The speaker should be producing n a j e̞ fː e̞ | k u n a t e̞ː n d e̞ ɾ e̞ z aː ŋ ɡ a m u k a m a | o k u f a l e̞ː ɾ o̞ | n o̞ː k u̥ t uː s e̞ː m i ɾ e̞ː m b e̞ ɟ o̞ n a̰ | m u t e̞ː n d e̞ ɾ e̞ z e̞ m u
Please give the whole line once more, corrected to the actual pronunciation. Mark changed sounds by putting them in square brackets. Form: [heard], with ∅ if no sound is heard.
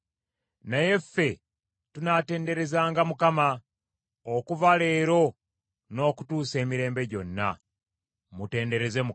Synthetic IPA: n a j e̞ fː e̞ | [t] u n a t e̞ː n d e̞ ɾ e̞ z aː ŋ ɡ a m u k a m a | o k u [v] a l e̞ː ɾ o̞ | n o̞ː k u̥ t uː s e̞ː m i ɾ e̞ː m b e̞ ɟ o̞ [nː] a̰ | m u t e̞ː n d e̞ ɾ e̞ z e̞ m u